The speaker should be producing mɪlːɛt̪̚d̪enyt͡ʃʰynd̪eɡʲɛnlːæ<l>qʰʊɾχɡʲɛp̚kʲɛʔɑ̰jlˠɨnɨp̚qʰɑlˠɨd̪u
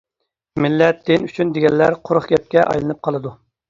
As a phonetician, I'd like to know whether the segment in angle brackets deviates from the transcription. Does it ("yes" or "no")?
yes